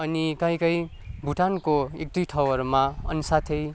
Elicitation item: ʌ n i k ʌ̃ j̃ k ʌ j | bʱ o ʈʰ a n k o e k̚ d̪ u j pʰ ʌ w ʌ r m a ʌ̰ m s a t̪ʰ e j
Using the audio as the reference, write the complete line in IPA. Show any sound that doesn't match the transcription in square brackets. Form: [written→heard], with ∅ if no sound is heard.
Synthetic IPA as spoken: ʌ n i k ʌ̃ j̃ k ʌ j | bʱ [o→u] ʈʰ a n k o e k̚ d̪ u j [pʰ→ʈʰ] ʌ w ʌ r m a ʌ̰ [m→n] s a t̪ʰ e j